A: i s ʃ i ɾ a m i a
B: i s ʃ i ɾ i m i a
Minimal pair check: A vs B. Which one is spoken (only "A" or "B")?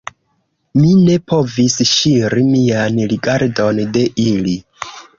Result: B